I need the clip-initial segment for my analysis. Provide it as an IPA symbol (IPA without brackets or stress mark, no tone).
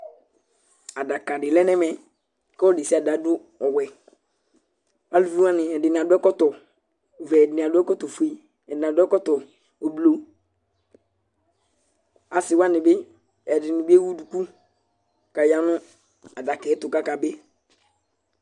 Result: a